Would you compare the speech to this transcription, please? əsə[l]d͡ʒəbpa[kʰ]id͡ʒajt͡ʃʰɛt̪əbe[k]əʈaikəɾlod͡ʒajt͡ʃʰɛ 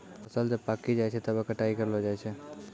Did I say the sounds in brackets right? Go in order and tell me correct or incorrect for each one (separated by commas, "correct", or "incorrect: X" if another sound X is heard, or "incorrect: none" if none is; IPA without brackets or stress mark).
correct, incorrect: k, correct